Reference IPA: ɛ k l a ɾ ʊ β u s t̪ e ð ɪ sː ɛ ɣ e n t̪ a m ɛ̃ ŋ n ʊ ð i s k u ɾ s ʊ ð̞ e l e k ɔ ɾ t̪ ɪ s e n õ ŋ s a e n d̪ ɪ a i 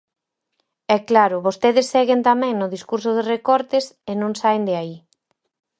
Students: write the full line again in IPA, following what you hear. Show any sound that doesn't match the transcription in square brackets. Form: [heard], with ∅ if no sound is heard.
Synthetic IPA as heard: ɛ k l a ɾ ʊ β [o] s t̪ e ð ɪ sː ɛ ɣ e n t̪ a m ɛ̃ ŋ n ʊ ð i s k u ɾ s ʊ ð̞ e [r] e k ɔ ɾ t̪ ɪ s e n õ ŋ s a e n d̪ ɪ a i